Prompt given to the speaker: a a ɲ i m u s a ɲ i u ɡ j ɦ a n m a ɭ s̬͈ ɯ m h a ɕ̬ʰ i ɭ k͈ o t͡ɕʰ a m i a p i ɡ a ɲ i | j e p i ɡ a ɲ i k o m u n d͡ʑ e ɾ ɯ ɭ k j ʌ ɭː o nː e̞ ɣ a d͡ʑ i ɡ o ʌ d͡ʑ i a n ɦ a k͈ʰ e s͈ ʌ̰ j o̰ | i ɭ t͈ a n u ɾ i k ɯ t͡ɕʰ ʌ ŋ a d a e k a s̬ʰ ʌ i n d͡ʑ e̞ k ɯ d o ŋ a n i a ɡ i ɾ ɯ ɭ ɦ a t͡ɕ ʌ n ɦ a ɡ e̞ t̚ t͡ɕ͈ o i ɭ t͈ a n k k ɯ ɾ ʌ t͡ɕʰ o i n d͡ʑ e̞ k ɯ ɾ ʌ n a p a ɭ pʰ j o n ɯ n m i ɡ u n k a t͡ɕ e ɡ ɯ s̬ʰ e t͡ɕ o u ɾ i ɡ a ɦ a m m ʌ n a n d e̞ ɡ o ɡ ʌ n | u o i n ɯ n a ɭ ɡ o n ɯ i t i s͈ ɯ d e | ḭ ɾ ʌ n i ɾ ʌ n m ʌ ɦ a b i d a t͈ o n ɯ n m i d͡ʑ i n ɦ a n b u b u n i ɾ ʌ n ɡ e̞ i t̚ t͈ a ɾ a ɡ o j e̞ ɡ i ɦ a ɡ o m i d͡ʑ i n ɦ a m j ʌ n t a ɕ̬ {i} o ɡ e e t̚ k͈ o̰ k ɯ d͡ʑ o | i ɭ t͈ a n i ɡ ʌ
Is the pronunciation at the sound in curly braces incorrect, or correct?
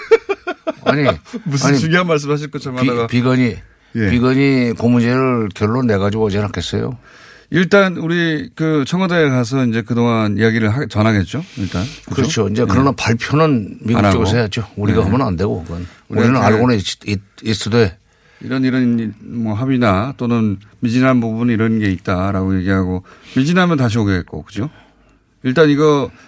correct